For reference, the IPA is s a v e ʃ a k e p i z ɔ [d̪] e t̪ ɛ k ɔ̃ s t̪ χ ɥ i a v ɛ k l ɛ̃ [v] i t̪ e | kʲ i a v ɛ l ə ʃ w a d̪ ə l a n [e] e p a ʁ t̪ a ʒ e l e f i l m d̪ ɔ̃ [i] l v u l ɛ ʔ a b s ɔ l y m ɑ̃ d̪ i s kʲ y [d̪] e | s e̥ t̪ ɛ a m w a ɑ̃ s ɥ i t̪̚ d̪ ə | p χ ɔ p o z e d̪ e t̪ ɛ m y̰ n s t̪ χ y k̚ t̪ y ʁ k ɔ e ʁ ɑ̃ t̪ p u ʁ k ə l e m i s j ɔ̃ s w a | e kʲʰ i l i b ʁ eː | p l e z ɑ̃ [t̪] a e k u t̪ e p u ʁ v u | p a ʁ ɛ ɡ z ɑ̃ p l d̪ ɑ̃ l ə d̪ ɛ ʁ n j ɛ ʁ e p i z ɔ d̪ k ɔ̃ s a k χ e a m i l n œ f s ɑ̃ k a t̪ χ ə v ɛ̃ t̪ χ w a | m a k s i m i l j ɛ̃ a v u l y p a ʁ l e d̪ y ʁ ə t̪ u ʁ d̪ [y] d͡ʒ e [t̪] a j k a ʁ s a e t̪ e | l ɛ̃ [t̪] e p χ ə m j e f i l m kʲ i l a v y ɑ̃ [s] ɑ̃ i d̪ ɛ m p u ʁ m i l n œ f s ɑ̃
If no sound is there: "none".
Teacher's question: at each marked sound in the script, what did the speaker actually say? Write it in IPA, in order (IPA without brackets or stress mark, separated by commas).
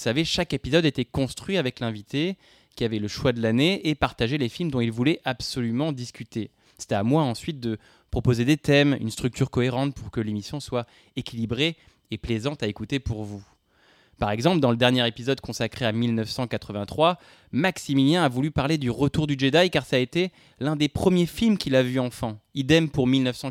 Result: d̪, v, e, i, t̪, t̪, y, d̪, d̪, f